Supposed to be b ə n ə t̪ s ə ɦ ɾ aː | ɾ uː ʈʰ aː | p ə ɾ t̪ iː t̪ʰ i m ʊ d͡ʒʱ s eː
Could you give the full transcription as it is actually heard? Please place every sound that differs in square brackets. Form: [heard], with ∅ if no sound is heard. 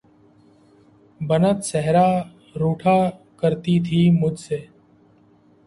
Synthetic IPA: b ə n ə t̪ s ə ɦ ɾ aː | ɾ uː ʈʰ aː | [k] ə ɾ t̪ iː t̪ʰ [iː] m ʊ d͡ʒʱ s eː